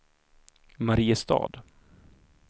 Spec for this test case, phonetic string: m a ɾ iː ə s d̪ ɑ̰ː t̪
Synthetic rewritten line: m a ɾ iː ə s t̪ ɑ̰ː d̪